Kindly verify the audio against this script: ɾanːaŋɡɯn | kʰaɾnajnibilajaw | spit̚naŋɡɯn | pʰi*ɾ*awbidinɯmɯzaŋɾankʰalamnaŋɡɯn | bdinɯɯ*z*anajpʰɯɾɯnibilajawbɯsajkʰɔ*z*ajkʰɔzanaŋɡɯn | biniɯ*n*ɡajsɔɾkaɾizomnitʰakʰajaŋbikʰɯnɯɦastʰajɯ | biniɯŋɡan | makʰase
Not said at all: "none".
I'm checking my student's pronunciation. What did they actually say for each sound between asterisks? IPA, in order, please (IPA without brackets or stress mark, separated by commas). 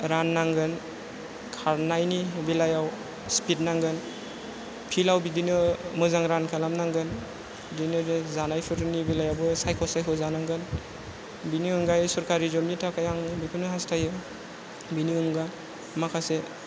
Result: l, z, s, ŋ